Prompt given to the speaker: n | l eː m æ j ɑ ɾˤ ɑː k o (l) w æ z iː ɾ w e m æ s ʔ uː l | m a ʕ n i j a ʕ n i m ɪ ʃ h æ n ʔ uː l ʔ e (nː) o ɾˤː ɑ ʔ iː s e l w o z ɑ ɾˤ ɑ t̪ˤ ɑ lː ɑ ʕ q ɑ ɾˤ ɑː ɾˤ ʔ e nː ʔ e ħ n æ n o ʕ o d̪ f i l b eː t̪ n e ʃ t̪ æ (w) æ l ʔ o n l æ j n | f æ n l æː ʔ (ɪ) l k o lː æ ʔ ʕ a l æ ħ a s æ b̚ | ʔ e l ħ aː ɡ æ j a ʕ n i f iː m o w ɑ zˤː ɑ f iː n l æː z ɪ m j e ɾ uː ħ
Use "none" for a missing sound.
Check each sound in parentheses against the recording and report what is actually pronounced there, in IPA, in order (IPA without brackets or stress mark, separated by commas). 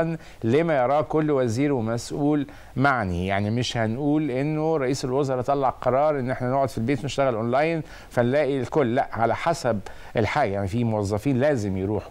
lː, nː, ɣ, i